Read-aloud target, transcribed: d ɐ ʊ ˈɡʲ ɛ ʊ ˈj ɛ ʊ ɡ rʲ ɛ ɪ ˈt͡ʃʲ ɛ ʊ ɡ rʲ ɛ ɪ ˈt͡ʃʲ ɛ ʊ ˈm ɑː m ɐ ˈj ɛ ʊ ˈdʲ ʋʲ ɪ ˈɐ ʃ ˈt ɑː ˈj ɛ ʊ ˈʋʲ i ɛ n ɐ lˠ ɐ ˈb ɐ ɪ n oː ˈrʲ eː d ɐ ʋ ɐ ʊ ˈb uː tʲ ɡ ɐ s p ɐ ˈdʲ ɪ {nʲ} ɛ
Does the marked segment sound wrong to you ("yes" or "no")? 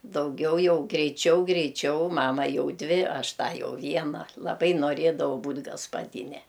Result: no